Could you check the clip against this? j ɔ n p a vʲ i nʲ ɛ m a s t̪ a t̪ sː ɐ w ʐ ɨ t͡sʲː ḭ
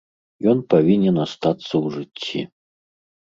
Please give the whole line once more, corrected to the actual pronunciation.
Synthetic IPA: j ɔ n p a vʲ i nʲ ɛ n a s t̪ a t̪ sː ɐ w ʐ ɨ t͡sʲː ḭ